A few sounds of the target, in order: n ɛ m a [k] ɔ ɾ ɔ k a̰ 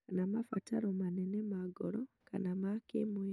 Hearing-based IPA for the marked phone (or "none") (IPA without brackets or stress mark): ɡ